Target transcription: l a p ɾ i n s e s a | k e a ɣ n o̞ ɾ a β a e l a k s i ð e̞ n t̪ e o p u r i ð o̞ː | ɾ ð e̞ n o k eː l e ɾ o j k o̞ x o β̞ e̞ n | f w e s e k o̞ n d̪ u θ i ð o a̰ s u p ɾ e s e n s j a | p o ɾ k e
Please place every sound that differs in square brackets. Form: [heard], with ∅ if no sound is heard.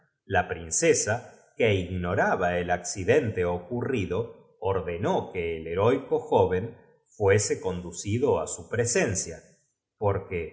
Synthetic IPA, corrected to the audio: l a p ɾ i n s e s a | k e [i] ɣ n o̞ ɾ a β a e l a k s i ð e̞ n t̪ e o [k] u r i ð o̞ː | ɾ ð e̞ n o k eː l e ɾ o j k o̞ x o β̞ e̞ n | f w e s e k o̞ n d̪ u [s] i ð o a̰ s u p ɾ e s e n s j a | p o ɾ k e